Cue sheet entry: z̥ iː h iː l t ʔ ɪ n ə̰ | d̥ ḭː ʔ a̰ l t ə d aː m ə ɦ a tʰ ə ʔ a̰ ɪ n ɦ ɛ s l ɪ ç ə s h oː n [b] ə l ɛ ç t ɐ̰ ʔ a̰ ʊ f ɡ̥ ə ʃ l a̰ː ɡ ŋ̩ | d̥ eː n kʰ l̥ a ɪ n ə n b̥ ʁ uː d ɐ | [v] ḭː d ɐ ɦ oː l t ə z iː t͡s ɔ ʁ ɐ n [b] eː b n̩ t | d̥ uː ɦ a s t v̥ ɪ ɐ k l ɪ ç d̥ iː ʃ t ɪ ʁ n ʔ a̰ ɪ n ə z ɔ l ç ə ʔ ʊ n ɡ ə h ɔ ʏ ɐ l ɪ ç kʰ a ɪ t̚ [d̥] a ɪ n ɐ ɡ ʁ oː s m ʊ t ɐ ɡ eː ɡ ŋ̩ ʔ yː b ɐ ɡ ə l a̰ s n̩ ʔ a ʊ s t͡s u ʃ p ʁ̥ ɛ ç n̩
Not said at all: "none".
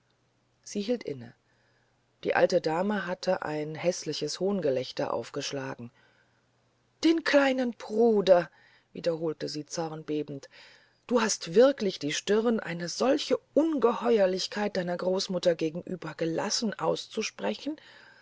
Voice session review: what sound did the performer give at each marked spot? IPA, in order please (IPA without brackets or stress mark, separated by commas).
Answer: ɡ, v, b, d̥